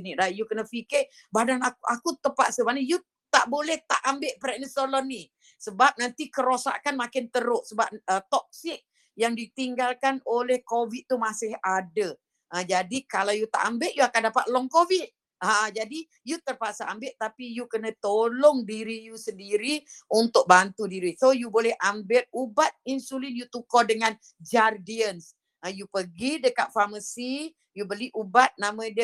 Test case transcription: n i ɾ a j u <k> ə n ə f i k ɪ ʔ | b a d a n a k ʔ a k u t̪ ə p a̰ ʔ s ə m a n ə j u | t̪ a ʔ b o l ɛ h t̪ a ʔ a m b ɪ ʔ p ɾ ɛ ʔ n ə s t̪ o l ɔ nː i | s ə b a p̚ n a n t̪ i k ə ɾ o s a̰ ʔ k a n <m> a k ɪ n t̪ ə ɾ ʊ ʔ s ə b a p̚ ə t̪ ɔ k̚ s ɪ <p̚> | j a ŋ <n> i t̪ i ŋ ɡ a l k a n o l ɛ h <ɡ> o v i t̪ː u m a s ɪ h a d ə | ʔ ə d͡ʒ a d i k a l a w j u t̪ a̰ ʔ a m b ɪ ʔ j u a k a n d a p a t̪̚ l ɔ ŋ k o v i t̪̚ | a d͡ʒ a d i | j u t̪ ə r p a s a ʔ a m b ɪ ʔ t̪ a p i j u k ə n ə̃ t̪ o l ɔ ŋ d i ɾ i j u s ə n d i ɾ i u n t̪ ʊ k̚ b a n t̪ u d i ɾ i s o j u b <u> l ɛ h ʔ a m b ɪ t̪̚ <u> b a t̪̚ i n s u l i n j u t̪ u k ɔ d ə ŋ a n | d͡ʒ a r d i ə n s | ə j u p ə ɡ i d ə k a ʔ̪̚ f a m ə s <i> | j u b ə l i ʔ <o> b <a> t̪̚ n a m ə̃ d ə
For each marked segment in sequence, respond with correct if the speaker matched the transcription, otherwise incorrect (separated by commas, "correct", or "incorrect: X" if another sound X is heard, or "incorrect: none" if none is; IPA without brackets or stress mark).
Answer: correct, correct, incorrect: k̚, incorrect: d, incorrect: k, incorrect: o, correct, correct, incorrect: u, correct